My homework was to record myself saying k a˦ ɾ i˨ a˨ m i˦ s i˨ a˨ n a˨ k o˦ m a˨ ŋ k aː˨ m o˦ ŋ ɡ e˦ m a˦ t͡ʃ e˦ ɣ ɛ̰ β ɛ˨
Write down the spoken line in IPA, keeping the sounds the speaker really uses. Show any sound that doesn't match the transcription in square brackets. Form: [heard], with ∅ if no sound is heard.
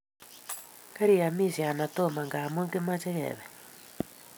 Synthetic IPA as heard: k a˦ ɾ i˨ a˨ m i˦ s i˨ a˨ n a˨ [t] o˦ m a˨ ŋ [ɡ] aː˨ m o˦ ŋ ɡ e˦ m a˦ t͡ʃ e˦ ɣ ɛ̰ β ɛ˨